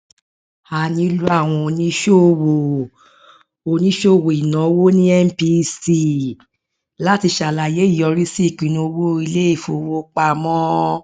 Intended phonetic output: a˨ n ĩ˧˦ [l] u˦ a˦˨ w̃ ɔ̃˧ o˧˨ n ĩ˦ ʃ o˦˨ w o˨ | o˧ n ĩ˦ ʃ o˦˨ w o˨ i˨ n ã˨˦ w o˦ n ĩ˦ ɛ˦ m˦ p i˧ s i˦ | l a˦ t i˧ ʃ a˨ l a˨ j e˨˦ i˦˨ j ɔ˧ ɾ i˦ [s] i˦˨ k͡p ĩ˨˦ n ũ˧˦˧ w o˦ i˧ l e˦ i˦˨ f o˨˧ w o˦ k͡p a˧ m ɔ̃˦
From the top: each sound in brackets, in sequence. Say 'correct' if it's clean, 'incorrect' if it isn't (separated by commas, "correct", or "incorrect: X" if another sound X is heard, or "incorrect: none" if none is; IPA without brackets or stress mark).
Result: correct, correct